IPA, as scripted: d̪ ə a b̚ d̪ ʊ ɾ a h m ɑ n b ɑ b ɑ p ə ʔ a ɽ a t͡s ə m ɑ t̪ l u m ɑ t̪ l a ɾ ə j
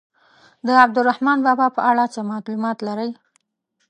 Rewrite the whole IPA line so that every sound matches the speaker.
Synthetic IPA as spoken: d̪ ə a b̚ d̪ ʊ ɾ a h m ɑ n b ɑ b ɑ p ə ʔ a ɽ a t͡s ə m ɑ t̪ l u m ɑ t̪ l a ɾ ə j